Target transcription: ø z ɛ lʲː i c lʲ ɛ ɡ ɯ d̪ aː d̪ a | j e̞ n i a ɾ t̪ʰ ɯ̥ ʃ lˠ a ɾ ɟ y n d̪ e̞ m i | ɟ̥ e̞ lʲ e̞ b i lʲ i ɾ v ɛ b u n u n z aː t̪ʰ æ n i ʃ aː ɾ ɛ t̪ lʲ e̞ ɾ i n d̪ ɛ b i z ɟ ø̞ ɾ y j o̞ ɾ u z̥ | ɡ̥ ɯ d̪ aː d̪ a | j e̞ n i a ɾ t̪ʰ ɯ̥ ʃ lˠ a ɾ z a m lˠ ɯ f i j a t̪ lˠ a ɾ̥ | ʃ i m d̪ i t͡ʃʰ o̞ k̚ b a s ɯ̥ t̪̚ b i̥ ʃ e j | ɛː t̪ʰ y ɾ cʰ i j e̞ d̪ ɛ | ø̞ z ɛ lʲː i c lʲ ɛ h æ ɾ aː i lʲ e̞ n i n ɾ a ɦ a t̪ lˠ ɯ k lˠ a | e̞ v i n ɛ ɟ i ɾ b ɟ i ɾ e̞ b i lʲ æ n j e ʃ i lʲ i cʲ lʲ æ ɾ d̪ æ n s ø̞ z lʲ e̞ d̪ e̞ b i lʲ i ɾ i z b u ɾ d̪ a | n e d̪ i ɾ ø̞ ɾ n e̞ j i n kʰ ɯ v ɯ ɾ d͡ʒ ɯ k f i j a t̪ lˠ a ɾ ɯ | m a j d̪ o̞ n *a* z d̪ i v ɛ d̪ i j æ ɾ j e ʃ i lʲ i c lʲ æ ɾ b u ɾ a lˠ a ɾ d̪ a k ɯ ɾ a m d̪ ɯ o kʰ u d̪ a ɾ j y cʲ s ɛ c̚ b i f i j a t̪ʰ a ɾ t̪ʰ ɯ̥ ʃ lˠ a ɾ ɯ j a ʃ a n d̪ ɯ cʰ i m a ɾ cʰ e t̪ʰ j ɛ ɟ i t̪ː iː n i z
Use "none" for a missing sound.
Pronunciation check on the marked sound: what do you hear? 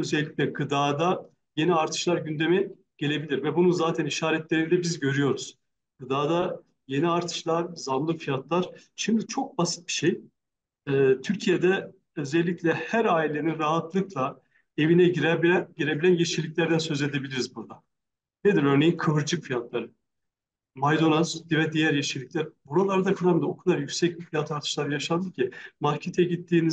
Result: a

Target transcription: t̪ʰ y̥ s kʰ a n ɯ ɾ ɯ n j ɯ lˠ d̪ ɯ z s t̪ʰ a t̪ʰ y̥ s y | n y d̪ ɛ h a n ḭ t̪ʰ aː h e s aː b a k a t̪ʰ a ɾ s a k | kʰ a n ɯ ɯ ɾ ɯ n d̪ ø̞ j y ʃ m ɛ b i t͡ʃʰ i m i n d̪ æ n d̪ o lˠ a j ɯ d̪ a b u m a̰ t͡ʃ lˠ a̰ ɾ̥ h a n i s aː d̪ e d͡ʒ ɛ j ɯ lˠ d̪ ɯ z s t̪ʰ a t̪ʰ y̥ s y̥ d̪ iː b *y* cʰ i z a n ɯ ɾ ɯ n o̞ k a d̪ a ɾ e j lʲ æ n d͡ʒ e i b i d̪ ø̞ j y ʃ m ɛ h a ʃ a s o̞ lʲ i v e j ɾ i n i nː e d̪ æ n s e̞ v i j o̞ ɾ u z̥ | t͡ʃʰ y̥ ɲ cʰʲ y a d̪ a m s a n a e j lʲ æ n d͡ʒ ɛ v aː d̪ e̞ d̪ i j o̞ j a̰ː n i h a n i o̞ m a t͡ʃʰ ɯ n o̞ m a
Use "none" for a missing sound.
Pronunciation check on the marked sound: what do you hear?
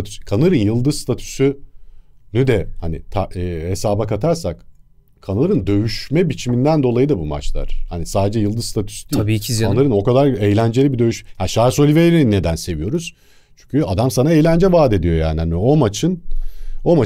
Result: i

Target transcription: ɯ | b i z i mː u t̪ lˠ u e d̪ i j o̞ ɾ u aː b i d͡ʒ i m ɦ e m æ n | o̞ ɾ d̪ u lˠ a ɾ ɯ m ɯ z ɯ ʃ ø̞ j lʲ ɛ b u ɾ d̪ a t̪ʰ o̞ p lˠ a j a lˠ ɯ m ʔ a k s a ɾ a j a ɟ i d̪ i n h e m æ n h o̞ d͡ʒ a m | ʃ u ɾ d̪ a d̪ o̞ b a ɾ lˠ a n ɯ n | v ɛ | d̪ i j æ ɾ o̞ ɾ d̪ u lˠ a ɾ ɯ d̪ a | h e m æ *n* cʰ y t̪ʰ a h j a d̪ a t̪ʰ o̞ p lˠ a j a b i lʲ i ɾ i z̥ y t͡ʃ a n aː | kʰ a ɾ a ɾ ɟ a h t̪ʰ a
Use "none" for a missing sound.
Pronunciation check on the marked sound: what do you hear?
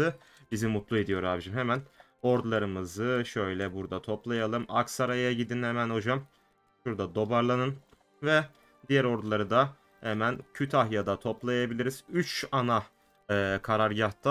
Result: n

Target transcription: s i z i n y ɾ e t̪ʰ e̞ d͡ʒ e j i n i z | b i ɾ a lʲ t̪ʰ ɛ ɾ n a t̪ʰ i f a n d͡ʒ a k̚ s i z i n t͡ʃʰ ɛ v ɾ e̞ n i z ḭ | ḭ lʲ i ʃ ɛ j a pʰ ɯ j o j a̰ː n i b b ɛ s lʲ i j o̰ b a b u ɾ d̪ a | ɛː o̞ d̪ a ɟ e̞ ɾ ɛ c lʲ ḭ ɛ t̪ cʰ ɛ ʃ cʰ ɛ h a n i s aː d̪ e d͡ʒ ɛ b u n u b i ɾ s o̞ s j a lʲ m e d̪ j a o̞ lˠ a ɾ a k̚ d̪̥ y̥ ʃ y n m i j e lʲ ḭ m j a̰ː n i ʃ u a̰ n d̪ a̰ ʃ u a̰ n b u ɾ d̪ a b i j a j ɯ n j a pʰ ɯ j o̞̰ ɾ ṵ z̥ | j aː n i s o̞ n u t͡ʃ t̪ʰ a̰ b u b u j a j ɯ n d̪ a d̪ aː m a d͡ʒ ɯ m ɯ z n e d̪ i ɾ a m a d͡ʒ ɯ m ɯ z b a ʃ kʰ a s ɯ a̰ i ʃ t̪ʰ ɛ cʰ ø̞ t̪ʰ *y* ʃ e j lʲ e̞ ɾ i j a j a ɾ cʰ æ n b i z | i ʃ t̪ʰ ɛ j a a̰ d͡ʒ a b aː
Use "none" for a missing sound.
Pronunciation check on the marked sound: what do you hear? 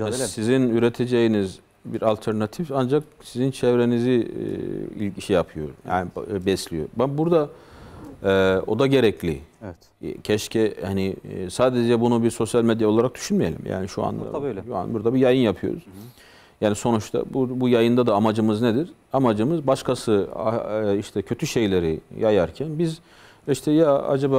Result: y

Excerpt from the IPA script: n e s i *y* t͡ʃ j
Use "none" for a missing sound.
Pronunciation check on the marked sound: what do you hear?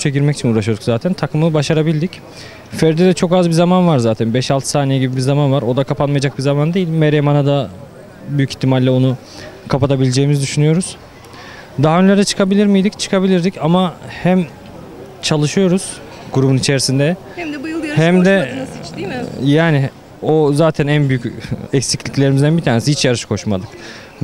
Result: i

